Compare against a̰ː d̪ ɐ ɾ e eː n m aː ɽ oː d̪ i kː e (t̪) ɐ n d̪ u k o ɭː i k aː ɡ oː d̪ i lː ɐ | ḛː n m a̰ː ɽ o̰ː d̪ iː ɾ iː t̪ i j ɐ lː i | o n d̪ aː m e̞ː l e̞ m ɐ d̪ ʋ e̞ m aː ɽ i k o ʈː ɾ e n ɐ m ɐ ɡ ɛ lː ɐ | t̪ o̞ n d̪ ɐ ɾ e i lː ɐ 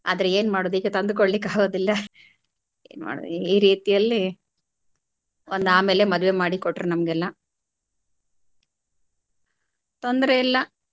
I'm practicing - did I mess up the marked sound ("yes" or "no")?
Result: no